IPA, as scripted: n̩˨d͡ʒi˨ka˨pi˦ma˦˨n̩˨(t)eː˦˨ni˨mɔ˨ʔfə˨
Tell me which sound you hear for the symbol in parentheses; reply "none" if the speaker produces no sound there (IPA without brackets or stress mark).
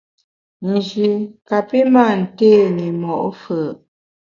t